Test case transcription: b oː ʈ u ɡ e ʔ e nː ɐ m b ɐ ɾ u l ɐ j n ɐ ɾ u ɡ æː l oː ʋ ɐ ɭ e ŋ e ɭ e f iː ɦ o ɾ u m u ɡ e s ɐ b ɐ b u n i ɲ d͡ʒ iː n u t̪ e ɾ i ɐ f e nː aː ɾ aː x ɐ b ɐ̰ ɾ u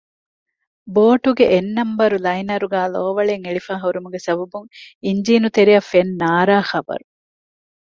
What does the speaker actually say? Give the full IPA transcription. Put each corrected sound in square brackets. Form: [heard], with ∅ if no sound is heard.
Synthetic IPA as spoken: b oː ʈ u ɡ e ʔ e nː ɐ m b ɐ ɾ u l ɐ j n ɐ ɾ u ɡ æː l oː ʋ ɐ ɭ e ŋ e ɭ [i] f [aː] ɦ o ɾ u m u ɡ e s ɐ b ɐ b u [ŋ] i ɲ d͡ʒ iː n u t̪ e ɾ i ɐ f e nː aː ɾ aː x ɐ b ɐ̰ ɾ u